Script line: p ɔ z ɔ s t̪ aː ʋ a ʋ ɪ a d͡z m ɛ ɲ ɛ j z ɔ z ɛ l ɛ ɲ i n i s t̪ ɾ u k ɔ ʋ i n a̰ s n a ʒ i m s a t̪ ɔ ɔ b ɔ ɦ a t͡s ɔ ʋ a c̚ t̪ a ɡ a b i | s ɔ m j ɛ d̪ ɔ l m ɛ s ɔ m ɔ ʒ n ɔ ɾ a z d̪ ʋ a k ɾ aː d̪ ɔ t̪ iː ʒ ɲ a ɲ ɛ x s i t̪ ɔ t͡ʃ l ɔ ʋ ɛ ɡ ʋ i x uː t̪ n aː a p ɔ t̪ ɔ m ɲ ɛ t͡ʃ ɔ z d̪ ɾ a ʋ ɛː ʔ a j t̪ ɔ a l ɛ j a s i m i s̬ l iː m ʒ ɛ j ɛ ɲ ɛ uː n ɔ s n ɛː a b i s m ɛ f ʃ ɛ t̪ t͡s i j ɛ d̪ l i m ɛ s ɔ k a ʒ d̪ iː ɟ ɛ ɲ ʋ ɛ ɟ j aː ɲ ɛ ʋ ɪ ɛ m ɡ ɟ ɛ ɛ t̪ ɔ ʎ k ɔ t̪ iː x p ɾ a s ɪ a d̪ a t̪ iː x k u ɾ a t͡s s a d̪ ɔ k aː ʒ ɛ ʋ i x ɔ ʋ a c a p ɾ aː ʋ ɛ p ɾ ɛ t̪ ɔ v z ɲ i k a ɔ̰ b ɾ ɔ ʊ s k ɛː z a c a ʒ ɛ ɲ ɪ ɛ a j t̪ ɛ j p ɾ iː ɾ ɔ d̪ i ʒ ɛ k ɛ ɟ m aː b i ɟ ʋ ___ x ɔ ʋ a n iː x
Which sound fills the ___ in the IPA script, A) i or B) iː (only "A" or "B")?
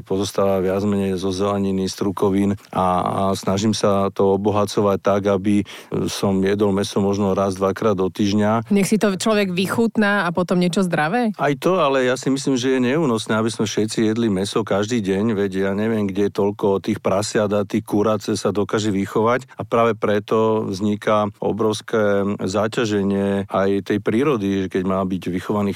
A